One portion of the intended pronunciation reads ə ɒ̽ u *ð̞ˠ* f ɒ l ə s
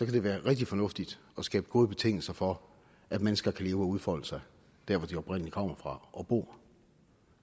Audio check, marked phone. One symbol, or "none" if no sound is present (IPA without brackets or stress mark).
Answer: ð̞ˠ